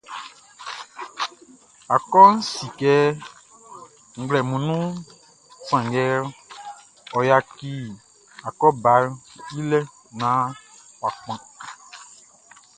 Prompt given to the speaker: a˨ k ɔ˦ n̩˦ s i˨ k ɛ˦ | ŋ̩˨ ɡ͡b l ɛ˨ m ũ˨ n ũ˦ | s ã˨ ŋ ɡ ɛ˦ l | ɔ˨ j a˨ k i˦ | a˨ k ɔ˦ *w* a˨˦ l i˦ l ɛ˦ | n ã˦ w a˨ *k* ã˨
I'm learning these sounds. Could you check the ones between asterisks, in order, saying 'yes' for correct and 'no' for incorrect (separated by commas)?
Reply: no, no